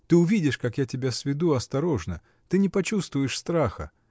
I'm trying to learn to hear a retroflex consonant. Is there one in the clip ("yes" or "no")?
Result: yes